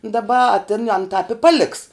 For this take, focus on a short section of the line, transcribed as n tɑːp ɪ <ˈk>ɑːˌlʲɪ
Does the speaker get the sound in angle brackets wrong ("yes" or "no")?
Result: yes